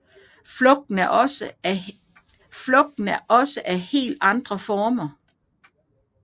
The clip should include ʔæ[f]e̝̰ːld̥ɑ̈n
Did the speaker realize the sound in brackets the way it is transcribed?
no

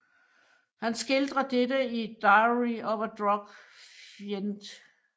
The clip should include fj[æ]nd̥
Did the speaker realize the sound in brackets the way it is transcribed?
no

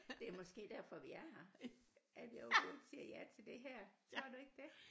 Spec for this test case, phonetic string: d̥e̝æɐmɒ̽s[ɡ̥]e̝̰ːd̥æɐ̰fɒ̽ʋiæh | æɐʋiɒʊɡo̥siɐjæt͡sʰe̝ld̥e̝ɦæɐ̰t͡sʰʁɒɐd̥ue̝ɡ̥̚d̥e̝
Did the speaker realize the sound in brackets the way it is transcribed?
yes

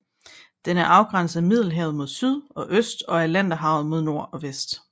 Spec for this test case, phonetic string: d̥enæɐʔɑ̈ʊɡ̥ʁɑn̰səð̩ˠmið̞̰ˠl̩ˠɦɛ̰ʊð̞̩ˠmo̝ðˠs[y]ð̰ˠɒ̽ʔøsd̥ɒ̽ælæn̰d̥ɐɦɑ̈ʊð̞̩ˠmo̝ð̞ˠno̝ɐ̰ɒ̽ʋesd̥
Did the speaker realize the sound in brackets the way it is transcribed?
yes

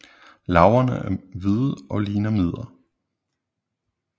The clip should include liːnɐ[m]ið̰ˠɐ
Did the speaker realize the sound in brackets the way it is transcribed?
yes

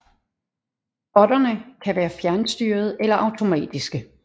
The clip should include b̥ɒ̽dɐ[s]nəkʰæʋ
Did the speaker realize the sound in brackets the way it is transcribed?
no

